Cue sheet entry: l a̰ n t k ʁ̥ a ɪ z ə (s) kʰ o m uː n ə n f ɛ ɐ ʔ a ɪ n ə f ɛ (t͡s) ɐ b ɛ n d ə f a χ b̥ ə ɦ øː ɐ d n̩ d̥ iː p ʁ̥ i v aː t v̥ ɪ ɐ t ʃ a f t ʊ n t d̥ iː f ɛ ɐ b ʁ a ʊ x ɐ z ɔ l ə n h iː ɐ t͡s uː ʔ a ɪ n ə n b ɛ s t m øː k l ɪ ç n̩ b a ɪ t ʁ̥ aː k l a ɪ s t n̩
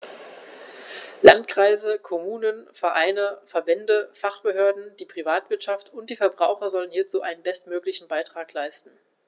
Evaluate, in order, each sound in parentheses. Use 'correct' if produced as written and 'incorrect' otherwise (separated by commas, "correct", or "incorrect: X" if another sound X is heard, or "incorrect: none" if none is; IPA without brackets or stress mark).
incorrect: none, incorrect: none